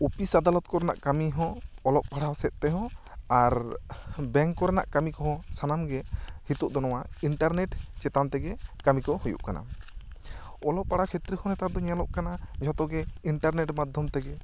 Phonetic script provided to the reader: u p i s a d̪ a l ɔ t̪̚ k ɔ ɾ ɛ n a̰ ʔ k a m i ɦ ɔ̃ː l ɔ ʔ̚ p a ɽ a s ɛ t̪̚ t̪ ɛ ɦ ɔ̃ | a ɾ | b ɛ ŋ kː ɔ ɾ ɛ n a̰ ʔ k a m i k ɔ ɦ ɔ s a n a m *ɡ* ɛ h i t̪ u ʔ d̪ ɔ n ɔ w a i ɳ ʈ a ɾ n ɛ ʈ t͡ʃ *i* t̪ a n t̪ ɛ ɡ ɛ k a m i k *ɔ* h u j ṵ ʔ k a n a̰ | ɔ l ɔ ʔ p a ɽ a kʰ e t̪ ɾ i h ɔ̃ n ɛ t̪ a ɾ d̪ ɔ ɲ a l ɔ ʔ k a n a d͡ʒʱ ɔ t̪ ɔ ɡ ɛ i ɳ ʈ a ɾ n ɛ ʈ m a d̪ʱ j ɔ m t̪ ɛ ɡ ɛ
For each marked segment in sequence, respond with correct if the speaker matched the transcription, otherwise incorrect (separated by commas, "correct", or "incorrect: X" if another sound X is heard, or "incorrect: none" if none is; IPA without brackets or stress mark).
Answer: correct, incorrect: ɛ, correct